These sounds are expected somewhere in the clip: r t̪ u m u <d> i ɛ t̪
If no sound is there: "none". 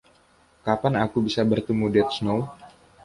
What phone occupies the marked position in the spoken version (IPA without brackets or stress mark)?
d